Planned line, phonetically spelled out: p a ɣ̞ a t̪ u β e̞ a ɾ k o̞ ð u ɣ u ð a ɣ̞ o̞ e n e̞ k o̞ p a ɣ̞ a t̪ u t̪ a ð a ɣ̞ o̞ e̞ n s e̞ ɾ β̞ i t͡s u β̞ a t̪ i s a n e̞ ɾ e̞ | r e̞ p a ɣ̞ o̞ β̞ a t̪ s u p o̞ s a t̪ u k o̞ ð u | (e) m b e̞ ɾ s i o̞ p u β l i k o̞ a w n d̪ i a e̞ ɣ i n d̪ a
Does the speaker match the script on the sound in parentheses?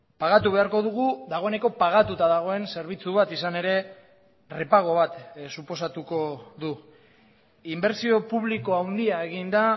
no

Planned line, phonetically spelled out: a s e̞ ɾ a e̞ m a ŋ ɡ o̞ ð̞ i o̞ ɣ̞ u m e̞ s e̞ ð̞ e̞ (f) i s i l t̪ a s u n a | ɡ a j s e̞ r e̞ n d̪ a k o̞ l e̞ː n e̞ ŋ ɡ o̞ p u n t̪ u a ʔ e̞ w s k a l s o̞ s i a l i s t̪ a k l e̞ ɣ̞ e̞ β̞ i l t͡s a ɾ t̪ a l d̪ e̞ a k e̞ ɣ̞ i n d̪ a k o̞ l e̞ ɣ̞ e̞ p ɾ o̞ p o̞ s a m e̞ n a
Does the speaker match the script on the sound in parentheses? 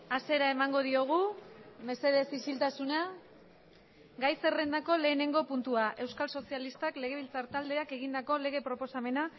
no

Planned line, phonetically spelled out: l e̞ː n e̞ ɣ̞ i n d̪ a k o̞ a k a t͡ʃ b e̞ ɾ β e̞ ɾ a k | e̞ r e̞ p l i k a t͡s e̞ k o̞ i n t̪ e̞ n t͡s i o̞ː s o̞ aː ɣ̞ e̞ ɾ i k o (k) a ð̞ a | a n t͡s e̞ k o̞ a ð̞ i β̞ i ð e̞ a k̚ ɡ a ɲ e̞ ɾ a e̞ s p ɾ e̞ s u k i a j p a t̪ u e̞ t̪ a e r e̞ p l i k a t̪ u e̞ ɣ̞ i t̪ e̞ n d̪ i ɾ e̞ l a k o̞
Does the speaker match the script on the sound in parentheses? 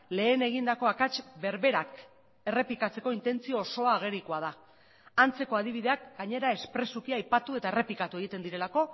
no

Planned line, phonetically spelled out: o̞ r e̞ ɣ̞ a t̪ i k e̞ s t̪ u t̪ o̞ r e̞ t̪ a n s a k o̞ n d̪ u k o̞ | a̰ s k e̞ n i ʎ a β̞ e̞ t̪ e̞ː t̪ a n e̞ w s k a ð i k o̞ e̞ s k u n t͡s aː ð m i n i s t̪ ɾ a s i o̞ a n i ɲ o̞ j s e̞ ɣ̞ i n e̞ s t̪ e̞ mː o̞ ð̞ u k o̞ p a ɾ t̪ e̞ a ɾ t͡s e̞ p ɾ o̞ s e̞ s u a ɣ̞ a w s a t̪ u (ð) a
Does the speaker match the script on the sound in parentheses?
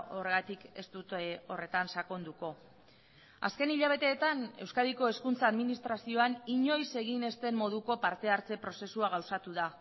yes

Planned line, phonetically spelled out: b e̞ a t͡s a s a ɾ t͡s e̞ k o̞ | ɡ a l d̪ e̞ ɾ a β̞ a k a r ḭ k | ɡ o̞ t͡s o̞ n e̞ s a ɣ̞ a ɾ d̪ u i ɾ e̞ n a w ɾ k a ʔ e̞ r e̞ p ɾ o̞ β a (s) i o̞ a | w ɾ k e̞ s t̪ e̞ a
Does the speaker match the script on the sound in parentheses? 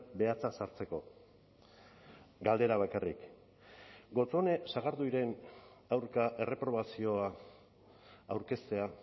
yes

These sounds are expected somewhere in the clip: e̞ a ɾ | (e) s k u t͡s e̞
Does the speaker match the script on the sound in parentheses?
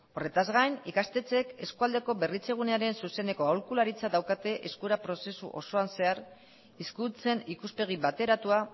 no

